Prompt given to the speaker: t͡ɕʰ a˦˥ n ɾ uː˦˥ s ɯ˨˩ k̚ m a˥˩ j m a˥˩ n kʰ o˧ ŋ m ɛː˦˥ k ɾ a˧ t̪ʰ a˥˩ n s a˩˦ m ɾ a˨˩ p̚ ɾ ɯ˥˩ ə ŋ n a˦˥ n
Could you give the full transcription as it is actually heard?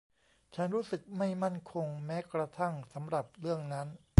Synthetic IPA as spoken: t͡ɕʰ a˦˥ n ɾ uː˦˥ s ɯ˨˩ k̚ m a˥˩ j m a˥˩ n kʰ o˧ ŋ m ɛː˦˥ k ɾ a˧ t̪ʰ a˥˩ ŋ s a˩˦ m ɾ a˨˩ p̚ ɾ ɯ˥˩ ə ŋ n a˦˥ n

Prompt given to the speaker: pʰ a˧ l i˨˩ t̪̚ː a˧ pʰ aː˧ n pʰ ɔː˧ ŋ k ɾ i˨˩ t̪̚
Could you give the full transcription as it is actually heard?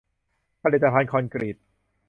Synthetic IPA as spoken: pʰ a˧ l i˨˩ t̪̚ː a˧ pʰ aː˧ n kʰ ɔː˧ n k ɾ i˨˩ t̪̚

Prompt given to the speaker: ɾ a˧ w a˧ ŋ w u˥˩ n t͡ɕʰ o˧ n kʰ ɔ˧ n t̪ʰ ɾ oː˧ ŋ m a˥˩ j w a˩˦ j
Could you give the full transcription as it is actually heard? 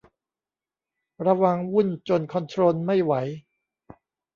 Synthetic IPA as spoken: ɾ a˧ w a˧ ŋ w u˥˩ n t͡ɕ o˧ n kʰ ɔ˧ n t̪ʰ ɾ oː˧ n m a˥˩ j w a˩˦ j

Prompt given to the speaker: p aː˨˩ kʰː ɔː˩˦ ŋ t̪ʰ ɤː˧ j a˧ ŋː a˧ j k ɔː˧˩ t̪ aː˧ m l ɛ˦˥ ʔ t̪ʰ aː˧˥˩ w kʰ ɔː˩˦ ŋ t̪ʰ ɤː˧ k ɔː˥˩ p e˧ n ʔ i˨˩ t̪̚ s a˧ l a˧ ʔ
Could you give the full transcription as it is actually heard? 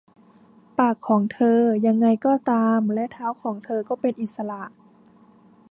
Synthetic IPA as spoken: p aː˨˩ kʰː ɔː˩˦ ŋ t̪ʰ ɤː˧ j a˧ ŋː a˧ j k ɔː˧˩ t̪ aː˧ m l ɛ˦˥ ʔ t̪ʰ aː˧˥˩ w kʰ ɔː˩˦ ŋ t̪ʰ ɤː˧ k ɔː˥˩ p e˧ n ʔ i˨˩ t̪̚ s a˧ l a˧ ʔ

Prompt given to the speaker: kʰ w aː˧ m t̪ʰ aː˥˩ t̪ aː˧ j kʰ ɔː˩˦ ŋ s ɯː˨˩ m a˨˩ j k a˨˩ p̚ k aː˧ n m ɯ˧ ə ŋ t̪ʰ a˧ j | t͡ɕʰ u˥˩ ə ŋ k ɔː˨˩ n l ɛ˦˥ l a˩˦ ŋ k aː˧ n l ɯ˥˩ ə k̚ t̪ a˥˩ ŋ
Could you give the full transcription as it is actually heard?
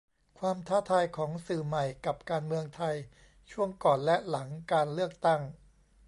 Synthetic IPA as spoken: kʰ w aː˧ m t̪ʰ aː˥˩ t̪ʰ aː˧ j kʰ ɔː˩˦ ŋ s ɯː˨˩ m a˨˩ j k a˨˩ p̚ k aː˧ n m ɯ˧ ə ŋ t̪ʰ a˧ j | t͡ɕʰ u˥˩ ə ŋ k ɔː˨˩ n l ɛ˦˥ l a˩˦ ŋ k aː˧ n l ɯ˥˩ ə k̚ t̪ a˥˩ ŋ

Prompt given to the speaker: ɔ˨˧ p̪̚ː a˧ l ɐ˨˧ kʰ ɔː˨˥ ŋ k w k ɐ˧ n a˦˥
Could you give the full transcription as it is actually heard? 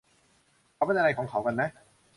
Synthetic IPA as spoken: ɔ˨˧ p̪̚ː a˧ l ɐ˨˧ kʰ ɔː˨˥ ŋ kʰ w k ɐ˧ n ɛ˦˥

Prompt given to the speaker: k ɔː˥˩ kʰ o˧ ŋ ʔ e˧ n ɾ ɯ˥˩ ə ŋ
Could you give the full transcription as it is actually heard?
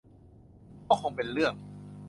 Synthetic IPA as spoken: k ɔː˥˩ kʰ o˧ ŋ p e˧ n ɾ ɯ˥˩ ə ŋ

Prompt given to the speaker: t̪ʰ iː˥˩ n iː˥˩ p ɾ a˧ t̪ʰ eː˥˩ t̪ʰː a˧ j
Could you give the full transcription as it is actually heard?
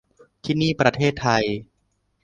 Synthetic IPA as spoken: t̪ʰ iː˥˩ n iː˥˩ p ɾ a˧ t̪ʰ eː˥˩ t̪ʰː a˧ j

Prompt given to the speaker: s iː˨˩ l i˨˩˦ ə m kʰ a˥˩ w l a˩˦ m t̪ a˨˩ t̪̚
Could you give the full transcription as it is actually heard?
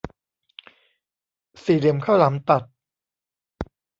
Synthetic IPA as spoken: s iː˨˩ l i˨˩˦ ə m kʰ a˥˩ w l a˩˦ m t̪ a˨˩ t̪̚

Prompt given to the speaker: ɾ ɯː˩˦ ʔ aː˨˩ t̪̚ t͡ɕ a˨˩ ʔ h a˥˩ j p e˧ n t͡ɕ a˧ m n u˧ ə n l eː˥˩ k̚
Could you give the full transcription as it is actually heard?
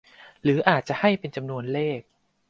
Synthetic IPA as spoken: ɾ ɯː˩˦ ʔ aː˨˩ t̪̚ t͡ɕ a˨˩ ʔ h a˥˩ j p e˧ n t͡ɕ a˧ m n u˧ ə n l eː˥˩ k̚

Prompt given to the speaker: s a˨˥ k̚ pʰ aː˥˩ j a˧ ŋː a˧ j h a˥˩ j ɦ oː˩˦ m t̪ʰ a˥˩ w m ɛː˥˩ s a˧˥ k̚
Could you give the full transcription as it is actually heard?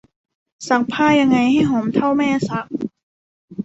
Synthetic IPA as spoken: s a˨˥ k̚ pʰ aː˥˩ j a˧ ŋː a˧ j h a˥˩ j ɦ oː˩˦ m t̪ʰ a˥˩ w m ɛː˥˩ s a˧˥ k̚

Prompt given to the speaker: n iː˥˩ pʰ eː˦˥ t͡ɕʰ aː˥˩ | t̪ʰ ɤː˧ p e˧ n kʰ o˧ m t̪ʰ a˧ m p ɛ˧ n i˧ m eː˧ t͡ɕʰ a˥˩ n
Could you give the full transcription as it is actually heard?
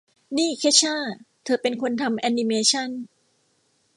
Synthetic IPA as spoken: n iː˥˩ kʰ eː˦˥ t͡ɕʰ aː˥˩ | t̪ʰ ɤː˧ p e˧ n kʰ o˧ n t̪ʰ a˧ m ʔ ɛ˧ n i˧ m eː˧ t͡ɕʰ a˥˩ n

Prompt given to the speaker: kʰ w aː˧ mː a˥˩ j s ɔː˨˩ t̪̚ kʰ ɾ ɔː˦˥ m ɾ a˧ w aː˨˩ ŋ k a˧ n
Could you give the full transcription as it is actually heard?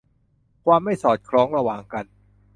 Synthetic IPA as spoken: kʰ w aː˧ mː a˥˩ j s ɔː˨˩ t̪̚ kʰ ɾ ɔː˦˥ ŋ ɾ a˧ w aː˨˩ ŋ k a˧ n

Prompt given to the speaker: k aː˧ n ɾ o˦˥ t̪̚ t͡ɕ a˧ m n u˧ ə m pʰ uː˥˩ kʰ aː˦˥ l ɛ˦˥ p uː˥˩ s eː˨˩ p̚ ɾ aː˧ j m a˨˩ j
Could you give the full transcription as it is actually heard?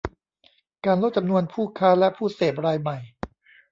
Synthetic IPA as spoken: k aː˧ n l o˦˥ t̪̚ t͡ɕ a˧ m n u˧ ə n pʰ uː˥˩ kʰ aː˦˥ l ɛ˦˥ pʰ uː˥˩ s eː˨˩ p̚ ɾ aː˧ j m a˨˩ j

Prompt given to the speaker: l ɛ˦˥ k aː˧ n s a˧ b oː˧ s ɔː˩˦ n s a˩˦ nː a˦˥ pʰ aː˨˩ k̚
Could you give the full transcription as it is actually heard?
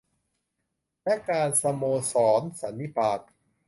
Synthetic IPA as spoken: l ɛ˦˥ k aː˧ n s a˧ m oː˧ s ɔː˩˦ n s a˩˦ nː i˦˥ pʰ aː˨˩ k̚

